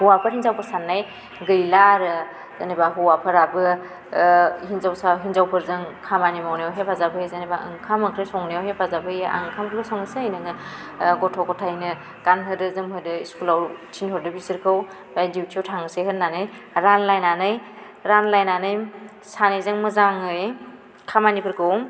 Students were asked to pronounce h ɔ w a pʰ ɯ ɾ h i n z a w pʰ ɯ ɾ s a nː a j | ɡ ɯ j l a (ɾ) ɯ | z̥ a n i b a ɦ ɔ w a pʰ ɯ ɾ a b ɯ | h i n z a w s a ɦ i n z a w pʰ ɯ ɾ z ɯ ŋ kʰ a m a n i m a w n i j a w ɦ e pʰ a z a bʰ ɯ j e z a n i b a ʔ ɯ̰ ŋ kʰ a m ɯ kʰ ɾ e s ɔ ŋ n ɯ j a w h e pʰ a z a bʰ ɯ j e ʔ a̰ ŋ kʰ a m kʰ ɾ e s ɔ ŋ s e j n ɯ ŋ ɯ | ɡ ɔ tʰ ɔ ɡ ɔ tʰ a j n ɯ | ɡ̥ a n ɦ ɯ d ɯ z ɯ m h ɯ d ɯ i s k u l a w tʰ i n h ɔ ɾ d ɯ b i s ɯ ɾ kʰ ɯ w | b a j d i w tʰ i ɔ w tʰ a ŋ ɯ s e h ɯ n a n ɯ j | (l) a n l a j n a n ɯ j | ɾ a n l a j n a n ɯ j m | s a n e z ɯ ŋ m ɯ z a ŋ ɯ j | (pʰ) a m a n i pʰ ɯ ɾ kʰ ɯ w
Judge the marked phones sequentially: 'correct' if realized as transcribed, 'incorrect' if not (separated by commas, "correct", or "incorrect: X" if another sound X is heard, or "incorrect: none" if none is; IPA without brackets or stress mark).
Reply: correct, incorrect: ɾ, incorrect: kʰ